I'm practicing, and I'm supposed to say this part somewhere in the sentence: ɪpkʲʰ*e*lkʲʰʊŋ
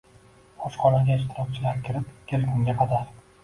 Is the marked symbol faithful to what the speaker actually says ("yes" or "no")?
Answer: yes